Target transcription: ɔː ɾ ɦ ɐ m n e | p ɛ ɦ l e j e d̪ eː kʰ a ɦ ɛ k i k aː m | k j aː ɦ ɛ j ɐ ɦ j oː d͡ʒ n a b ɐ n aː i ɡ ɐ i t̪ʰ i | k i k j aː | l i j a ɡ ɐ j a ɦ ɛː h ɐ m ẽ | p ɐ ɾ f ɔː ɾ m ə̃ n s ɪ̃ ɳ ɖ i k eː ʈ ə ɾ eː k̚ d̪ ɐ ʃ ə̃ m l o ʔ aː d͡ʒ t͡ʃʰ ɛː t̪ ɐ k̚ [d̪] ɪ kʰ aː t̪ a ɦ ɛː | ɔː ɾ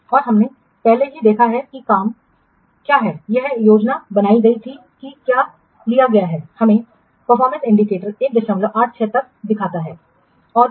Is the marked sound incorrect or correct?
correct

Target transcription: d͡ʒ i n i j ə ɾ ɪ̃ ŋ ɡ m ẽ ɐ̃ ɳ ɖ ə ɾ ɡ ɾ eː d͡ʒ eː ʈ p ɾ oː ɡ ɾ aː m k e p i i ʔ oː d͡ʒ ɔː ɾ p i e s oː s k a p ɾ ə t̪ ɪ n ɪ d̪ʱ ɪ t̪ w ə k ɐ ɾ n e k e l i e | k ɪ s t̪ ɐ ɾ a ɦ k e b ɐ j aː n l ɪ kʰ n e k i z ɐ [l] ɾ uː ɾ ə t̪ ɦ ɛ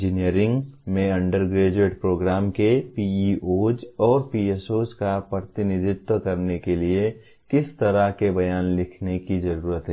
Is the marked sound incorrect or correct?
incorrect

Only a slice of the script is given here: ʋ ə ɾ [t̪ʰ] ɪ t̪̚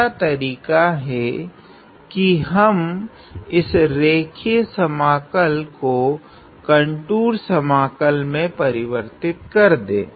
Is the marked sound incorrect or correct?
incorrect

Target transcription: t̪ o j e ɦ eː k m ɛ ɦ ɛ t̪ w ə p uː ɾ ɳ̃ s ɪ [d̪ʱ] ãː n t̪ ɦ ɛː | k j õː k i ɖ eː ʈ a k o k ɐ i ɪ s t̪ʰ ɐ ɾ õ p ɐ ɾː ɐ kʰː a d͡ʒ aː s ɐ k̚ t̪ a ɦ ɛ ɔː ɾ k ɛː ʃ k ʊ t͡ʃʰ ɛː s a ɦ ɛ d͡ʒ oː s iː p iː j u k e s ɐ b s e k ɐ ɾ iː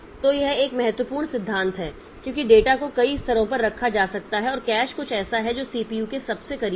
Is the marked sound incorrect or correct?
incorrect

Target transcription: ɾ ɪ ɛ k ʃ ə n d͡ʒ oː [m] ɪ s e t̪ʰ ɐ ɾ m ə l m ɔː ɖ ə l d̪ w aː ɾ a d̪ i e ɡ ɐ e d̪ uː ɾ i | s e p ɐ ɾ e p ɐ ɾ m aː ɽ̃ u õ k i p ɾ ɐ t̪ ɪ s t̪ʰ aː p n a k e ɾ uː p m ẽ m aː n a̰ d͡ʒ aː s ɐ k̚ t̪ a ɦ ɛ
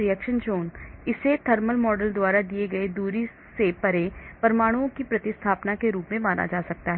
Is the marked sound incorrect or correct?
incorrect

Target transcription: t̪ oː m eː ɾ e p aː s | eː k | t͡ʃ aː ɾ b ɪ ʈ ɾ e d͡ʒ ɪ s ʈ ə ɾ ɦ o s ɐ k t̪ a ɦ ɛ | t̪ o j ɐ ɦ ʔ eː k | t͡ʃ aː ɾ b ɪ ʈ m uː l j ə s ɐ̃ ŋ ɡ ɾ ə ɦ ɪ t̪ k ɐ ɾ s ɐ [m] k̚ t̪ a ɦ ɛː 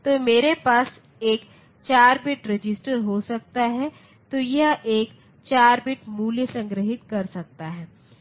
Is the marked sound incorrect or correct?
incorrect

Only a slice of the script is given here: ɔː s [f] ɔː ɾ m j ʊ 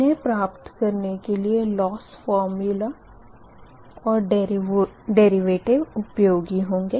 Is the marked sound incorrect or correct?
correct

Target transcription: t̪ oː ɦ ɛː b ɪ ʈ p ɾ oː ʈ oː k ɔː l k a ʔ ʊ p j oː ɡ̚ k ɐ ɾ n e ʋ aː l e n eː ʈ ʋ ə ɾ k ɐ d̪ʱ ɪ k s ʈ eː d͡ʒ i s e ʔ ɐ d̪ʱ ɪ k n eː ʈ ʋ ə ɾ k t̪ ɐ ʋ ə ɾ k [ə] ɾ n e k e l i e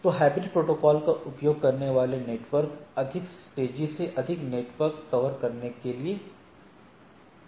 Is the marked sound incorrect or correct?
incorrect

